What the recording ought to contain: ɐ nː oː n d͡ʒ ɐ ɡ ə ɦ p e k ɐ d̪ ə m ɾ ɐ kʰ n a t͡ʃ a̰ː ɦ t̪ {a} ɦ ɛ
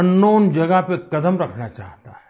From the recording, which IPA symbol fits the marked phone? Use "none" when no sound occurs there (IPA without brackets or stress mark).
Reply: a